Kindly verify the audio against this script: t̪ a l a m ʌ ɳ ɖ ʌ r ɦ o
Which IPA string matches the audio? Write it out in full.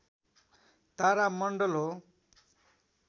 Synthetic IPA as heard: t̪ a ɾ a m ʌ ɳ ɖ ʌ l ɦ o